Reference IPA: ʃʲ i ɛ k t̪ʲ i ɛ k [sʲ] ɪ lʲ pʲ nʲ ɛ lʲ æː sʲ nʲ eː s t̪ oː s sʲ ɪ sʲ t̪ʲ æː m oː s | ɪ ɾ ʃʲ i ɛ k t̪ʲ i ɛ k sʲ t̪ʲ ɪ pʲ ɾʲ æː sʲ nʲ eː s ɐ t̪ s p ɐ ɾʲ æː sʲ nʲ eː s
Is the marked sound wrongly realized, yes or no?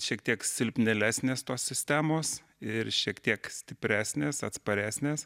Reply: no